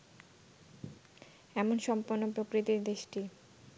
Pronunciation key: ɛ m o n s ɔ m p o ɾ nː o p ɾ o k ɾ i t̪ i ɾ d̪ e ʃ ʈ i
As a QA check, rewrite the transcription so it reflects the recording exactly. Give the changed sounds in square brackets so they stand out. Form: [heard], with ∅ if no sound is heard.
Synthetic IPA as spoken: ɛ m o n [ʃ] ɔ m p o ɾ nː o p ɾ o k ɾ i t̪ i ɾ d̪ e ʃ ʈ i